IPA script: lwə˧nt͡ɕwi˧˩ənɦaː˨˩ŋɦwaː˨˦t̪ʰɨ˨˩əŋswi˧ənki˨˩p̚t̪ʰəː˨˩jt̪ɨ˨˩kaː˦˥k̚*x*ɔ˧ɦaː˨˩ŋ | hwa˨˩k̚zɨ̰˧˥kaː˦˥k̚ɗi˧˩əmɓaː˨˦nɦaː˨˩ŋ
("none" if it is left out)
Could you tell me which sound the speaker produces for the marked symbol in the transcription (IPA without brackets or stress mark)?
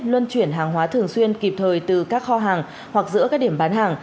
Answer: x